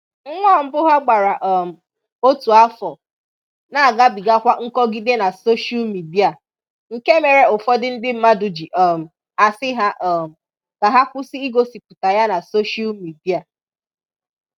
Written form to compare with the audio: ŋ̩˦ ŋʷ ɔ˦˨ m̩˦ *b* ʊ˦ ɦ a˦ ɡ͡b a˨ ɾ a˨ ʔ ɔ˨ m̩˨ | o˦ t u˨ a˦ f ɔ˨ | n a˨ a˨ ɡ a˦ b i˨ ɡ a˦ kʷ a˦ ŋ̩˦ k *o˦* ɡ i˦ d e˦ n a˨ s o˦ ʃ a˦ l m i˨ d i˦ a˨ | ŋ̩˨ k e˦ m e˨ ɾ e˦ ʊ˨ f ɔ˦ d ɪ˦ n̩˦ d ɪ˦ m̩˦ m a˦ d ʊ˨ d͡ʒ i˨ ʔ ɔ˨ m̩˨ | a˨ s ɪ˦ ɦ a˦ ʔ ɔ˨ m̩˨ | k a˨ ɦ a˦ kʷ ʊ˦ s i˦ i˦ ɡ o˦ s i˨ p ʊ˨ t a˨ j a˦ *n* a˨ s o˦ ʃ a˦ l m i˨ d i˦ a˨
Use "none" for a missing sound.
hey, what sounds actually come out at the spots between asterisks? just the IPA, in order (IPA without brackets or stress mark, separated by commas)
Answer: b, ɔ˦, n